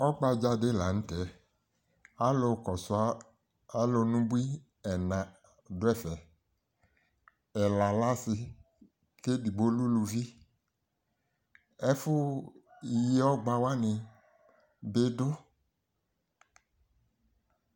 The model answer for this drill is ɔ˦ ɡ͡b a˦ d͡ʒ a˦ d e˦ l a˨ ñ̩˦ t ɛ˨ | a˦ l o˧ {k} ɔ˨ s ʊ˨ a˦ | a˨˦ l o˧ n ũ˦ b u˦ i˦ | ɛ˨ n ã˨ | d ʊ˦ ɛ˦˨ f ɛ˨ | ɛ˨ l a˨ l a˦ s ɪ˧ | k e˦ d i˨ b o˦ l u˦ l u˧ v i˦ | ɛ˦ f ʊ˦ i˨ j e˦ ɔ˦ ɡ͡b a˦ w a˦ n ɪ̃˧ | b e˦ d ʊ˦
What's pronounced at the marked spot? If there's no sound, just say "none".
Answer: k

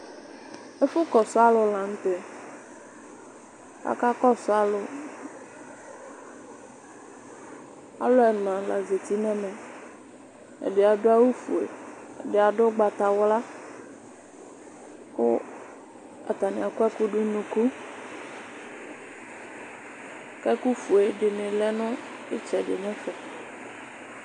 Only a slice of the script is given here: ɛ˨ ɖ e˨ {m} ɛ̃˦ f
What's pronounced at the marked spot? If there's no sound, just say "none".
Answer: ɲ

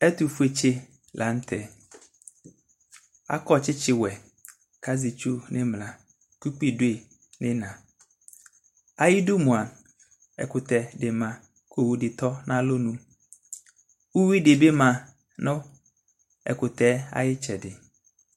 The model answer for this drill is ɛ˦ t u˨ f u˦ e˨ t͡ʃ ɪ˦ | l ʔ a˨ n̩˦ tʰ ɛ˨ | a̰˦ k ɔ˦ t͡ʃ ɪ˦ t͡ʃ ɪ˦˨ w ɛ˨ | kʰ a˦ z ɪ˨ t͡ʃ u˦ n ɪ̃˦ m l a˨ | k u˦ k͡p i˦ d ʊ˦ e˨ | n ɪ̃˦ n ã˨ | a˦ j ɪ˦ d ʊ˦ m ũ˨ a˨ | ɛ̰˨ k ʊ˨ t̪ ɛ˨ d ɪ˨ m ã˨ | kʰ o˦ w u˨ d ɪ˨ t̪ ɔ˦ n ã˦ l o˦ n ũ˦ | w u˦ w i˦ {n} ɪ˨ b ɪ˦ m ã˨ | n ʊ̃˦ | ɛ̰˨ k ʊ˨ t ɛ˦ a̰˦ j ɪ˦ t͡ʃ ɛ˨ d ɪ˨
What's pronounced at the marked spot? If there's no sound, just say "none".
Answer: d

